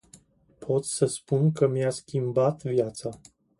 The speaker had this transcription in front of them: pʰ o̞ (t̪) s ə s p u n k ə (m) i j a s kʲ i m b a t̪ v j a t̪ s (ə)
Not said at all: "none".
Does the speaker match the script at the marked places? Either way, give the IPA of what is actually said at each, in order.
t̪, m, a

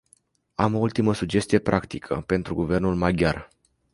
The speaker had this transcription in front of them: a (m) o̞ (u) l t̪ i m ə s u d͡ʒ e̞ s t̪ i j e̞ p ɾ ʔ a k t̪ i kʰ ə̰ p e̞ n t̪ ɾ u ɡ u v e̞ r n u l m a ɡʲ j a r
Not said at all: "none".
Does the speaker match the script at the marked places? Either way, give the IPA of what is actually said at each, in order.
m, u

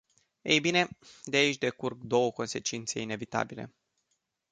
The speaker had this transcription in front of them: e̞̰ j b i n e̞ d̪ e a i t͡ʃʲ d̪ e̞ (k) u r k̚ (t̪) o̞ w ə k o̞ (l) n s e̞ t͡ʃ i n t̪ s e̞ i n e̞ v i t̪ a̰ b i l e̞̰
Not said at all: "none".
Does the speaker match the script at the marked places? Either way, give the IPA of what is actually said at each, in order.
k, d̪, none

